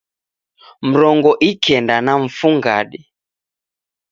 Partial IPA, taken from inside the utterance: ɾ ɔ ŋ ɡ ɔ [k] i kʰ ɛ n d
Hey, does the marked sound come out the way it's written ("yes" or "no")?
no